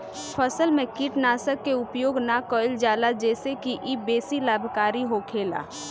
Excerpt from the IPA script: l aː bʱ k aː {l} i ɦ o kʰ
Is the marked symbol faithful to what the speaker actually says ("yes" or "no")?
no